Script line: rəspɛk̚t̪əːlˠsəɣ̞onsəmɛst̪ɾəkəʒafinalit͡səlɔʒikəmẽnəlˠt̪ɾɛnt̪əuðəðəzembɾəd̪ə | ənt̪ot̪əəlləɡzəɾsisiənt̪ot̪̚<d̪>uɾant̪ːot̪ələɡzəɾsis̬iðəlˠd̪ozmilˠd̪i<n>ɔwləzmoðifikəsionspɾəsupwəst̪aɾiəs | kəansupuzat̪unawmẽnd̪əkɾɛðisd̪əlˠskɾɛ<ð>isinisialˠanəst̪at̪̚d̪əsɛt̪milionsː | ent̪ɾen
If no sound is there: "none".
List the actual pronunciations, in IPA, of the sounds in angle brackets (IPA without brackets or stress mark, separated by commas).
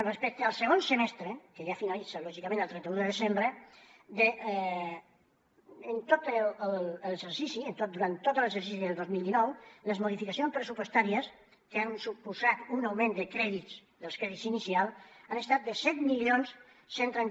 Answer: d̪, n, ð